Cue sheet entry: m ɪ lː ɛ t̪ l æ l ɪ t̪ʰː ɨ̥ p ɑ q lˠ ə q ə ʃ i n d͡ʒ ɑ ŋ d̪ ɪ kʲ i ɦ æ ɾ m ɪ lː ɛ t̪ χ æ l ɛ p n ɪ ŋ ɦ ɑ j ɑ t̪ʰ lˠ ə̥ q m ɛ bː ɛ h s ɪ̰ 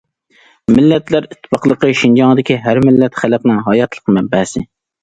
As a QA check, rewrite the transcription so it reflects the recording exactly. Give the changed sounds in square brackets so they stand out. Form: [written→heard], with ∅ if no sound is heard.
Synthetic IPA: m ɪ lː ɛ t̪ l æ [l→ɾ] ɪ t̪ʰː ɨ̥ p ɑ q lˠ ə q ə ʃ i n d͡ʒ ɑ ŋ d̪ ɪ kʲ i ɦ æ ɾ m ɪ lː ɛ t̪ χ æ l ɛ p n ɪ ŋ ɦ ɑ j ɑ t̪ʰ lˠ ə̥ q m ɛ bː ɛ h s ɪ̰